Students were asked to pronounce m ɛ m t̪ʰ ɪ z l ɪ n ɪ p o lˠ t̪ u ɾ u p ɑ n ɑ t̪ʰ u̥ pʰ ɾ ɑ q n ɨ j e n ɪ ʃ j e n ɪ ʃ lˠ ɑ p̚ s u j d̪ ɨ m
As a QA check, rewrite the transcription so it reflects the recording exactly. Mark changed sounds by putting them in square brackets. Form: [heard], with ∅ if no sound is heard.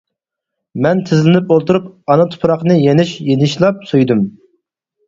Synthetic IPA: m ɛ [n] t̪ʰ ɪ z l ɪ n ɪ p o lˠ t̪ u ɾ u p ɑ n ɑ t̪ʰ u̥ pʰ ɾ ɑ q n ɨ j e n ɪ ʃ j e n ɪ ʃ lˠ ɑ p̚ s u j d̪ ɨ m